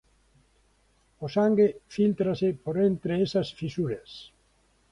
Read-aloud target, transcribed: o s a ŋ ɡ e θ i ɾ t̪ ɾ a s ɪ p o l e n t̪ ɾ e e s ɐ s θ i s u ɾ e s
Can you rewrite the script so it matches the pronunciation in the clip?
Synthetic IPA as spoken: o s a ŋ ɡ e f i l t̪ ɾ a s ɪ p o ɾ e n t̪ ɾ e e s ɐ s f i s u ɾ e s